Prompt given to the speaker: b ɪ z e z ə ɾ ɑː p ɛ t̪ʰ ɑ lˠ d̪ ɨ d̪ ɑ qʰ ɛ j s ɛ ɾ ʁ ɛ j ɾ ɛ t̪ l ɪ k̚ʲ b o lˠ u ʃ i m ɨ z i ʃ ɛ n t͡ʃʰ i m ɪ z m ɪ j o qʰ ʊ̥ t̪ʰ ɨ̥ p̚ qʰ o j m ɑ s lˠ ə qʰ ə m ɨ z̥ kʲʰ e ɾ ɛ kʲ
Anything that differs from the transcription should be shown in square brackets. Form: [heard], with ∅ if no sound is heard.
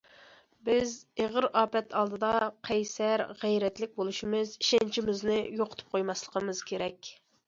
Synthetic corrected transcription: b ɪ z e [ʁ] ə ɾ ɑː p ɛ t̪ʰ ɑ lˠ d̪ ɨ d̪ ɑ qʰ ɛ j s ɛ ɾ ʁ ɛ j ɾ ɛ t̪ l ɪ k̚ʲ b o lˠ u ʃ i m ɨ z i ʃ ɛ n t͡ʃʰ i m ɪ z [n] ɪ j o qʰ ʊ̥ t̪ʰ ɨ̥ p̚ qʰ o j m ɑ s lˠ ə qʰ ə m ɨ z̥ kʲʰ e ɾ ɛ kʲ